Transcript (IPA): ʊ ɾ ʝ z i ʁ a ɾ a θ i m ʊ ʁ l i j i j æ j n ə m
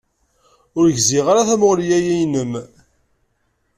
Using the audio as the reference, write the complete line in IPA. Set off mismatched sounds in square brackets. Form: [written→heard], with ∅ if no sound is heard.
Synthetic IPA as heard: ʊ ɾ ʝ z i ʁ a ɾ a θ [i→æ] m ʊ ʁ l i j [i→æ] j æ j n ə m